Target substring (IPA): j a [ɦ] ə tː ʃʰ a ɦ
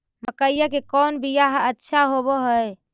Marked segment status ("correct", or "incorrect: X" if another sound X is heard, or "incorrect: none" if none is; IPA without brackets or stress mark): correct